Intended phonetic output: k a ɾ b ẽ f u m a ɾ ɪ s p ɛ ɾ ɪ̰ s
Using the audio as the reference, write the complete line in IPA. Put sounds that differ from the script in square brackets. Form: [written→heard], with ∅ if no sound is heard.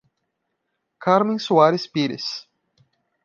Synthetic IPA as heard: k a ɾ [b→m] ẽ [f→s] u [m→∅] a ɾ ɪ s p [ɛ→i] ɾ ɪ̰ s

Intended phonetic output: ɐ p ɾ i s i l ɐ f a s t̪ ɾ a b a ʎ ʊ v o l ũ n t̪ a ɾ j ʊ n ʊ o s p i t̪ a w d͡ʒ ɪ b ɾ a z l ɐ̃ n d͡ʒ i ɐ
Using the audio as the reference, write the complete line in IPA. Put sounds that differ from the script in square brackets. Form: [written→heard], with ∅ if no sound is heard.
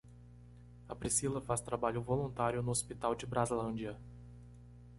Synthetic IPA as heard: ɐ p ɾ i s i l ɐ f a s t̪ ɾ a b a ʎ ʊ v o l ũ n t̪ a ɾ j ʊ n ʊ o s p i t̪ a w d͡ʒ ɪ b ɾ a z l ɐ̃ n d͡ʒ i ɐ

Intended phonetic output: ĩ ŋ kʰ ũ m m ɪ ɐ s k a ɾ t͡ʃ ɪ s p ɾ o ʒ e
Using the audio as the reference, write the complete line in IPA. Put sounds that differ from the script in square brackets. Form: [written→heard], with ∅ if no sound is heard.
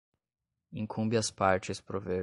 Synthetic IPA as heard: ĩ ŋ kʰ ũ m [m→b] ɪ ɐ s [k→p] a ɾ t͡ʃ ɪ s p ɾ o [ʒ→v] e

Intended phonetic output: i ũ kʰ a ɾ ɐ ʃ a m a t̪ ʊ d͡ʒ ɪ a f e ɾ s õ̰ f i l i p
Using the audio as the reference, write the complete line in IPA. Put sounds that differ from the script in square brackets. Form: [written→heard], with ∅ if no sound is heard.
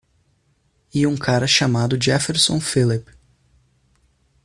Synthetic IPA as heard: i ũ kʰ a ɾ ɐ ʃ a m a [t̪→d̪] ʊ d͡ʒ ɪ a f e ɾ s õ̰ f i l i p

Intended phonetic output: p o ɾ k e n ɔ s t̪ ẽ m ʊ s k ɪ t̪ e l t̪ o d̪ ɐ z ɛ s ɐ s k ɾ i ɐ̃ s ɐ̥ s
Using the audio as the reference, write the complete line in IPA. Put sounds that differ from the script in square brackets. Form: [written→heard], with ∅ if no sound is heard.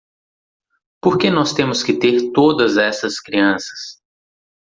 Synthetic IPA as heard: p o ɾ k e n ɔ s t̪ ẽ m ʊ s k ɪ t̪ e [l→ɾ] t̪ o d̪ ɐ z ɛ s ɐ s k ɾ i ɐ̃ s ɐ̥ s

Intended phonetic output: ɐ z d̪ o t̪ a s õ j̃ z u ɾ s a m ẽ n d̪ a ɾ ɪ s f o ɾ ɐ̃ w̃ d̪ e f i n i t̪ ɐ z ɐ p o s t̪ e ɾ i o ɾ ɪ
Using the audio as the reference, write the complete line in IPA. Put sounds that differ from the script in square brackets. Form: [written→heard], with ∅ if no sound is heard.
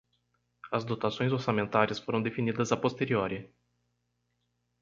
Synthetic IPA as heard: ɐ z d̪ o t̪ a s õ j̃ z [u→o] ɾ s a m ẽ n [d̪→t̪] a ɾ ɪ s f o ɾ ɐ̃ w̃ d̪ e f i n i [t̪→d̪] ɐ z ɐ p o s t̪ e ɾ i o ɾ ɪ

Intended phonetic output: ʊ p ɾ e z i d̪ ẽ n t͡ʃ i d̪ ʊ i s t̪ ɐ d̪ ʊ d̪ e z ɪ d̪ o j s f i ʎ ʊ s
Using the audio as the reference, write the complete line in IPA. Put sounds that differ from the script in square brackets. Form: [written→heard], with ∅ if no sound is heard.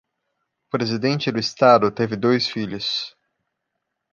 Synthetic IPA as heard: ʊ p ɾ e z i d̪ ẽ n t͡ʃ [i→ɪ] d̪ ʊ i s t̪ [ɐ→a] d̪ ʊ [d̪→t̪] e [z→v] ɪ d̪ o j s f i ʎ ʊ s

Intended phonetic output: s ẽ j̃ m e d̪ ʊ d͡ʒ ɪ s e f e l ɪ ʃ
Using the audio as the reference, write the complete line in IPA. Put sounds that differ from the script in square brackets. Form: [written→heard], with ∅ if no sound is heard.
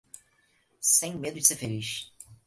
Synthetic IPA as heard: s ẽ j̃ m e d̪ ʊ d͡ʒ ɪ s e f e l [ɪ→i] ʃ

